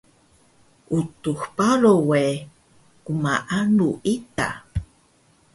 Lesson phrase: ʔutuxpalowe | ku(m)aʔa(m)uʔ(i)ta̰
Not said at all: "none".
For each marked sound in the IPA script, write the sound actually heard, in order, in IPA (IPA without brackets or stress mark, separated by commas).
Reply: m, n, i